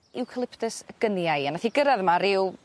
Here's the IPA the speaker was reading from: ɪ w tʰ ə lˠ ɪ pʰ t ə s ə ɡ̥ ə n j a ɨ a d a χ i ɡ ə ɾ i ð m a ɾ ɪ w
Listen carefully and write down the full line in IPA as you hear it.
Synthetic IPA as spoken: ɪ w kʰ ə lˠ ɪ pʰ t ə s ə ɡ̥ ə n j a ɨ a n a θ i ɡ ə ɾ a ð m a ɾ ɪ w